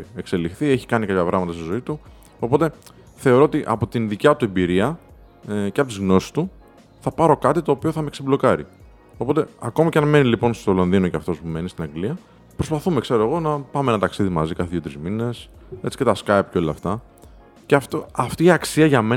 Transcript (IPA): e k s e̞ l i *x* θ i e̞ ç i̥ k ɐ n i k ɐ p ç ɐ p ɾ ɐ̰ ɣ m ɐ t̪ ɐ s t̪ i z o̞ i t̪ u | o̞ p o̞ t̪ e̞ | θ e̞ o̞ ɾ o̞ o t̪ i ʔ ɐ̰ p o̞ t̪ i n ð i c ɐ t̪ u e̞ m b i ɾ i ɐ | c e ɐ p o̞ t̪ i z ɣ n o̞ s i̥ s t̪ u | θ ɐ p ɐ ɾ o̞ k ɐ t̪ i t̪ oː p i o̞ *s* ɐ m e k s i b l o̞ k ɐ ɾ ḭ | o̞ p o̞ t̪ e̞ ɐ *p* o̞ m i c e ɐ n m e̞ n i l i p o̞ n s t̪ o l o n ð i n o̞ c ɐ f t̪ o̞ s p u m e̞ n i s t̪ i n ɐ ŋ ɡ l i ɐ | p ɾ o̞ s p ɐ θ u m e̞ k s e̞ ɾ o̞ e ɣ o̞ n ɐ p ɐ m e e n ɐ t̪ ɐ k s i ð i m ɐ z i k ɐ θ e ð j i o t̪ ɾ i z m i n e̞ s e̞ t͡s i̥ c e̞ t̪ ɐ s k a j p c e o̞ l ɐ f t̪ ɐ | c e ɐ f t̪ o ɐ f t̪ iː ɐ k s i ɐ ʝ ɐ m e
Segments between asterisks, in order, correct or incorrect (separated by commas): correct, incorrect, incorrect